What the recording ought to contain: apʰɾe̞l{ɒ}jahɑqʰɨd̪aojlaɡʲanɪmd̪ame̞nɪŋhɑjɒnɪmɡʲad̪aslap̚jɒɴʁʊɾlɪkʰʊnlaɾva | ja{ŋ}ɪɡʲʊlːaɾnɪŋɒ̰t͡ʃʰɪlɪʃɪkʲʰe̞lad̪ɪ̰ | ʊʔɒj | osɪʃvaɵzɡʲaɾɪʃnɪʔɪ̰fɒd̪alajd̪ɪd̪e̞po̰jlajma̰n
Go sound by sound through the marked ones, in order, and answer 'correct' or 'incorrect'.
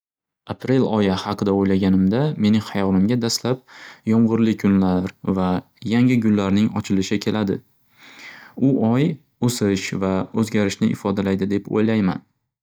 correct, correct

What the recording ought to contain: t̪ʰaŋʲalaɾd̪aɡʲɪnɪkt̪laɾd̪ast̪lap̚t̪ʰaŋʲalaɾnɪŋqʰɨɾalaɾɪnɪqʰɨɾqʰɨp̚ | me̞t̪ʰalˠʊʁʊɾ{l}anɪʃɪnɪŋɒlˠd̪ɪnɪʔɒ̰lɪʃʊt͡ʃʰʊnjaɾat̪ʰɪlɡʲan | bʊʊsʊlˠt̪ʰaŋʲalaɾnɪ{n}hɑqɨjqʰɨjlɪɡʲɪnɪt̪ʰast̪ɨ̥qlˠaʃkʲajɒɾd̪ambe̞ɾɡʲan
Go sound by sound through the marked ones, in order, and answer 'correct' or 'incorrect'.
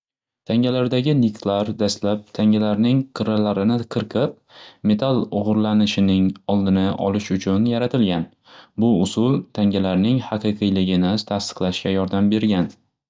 correct, incorrect: ŋ

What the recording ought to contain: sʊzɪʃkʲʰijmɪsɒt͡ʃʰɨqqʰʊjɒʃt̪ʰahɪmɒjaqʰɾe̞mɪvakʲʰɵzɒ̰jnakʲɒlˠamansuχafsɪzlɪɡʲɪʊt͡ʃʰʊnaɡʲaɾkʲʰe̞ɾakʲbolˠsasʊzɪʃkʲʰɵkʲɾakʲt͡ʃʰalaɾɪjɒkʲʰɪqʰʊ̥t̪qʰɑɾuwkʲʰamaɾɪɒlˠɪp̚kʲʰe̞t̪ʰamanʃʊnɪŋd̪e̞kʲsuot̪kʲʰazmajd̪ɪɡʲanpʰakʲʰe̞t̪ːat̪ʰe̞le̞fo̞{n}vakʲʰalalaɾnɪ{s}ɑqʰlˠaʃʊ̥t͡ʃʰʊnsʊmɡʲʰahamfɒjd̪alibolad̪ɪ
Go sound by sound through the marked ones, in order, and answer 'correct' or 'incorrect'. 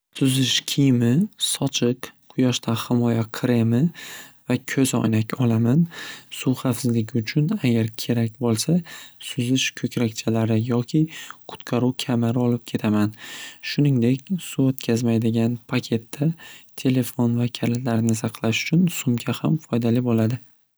correct, correct

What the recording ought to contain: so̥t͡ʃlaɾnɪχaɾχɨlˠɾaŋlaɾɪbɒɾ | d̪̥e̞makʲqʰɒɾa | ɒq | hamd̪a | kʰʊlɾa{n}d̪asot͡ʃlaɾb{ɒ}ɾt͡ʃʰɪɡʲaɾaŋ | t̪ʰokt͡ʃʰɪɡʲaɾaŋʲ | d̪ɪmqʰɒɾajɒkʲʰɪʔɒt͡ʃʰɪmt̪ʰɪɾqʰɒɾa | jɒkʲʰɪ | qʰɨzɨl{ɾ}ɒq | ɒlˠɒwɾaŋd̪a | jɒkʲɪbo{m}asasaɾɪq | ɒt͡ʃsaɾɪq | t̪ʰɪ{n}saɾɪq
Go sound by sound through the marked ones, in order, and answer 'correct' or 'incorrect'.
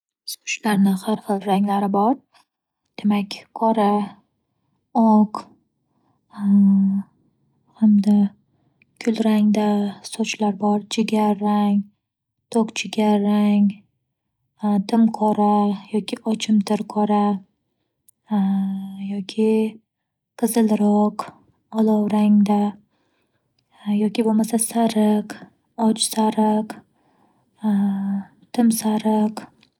incorrect: ŋ, correct, correct, correct, incorrect: m

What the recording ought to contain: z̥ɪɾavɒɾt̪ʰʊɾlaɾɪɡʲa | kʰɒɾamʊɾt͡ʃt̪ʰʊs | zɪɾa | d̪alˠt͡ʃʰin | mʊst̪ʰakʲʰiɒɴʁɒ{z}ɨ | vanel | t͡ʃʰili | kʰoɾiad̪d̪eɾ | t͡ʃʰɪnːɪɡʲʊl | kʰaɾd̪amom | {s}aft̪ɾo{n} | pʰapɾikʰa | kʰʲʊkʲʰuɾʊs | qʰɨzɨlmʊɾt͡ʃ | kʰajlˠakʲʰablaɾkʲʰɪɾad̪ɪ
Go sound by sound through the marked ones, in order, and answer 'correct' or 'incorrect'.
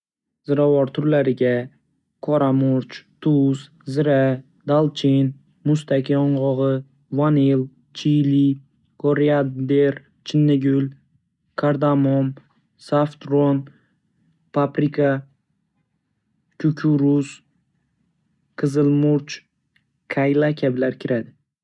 incorrect: ʁ, correct, correct

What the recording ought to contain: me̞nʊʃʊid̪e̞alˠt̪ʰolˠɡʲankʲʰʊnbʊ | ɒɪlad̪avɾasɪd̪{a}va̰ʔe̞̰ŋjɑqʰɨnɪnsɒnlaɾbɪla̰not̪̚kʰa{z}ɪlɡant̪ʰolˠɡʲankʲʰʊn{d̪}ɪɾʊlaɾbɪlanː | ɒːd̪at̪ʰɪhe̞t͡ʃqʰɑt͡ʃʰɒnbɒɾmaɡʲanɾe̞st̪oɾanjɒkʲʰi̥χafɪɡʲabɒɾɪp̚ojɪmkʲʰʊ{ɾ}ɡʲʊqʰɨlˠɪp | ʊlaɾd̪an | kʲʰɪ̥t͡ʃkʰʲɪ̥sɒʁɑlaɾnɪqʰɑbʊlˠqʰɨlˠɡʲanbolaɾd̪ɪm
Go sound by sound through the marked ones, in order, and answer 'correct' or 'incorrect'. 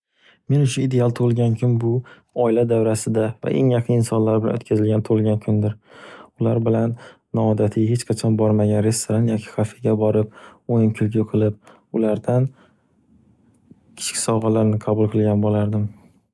correct, correct, correct, incorrect: l

